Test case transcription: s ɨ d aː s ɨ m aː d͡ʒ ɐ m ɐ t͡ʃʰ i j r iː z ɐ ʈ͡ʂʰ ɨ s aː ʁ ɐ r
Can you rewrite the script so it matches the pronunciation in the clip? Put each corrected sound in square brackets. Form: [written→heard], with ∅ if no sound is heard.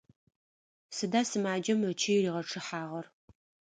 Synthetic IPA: s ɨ d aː s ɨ m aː d͡ʒ ɐ m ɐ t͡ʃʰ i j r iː [z→ʁ] ɐ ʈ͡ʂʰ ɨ [s→ħ] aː ʁ ɐ r